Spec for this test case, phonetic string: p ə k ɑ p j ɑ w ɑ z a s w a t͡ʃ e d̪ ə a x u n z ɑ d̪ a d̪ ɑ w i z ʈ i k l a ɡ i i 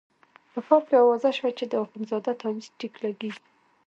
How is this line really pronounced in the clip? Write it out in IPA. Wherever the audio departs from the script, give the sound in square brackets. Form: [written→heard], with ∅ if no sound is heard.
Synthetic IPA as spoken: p ə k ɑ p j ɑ w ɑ z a [s→ʃ] w a t͡ʃ e d̪ ə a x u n z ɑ d̪ a [d̪→t̪] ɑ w i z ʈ i k l a ɡ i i

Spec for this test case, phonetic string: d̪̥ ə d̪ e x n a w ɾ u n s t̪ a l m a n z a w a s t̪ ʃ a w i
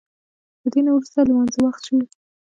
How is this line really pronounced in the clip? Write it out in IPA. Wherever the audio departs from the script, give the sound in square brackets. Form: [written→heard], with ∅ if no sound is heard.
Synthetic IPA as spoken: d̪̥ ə d̪ e [x→∅] n a w ɾ u [n→∅] s t̪ a l m a n z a w a [s→x] t̪ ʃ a w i

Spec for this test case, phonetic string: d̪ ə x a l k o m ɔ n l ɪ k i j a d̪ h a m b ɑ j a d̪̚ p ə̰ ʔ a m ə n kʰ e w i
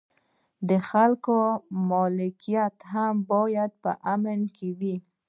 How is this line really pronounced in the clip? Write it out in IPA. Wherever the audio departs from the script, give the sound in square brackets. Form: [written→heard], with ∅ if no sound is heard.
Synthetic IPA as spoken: d̪ ə x a l k o m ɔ [n→∅] l ɪ k i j a [d̪→t̪] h a m b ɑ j a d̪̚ p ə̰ ʔ a m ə n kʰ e w i

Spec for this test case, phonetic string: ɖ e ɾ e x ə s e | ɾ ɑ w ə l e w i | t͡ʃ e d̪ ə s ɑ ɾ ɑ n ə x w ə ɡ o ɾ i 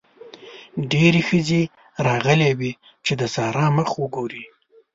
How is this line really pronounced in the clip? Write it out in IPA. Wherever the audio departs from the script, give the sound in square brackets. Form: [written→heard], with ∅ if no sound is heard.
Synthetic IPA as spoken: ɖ e ɾ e x ə [s→z] e | ɾ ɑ [w→ɣ] ə l e w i | t͡ʃ e d̪ ə s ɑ ɾ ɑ [n→m] ə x w ə ɡ o ɾ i

